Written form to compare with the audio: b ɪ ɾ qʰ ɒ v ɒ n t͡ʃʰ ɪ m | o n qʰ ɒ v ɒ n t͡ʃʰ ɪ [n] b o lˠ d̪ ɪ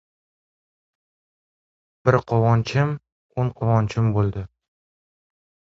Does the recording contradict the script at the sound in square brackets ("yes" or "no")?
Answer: yes